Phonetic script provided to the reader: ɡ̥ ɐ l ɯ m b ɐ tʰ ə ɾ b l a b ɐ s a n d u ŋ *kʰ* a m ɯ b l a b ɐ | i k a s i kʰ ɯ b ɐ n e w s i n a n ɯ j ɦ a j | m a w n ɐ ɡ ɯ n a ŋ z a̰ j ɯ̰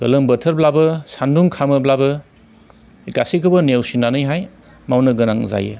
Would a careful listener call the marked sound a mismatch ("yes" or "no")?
no